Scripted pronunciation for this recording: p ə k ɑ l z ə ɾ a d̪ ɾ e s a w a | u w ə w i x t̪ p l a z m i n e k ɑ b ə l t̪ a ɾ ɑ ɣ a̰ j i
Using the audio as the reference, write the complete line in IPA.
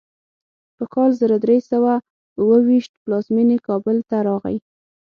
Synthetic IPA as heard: p ə k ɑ l z ə ɾ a d̪ ɾ e s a w a | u w ə w i ʃ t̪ p l ɑ z m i n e k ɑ b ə l t̪ a ɾ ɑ ɣ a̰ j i